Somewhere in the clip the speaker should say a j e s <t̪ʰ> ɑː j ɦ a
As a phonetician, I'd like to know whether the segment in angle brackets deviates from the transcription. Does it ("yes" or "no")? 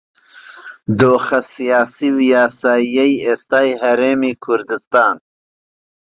yes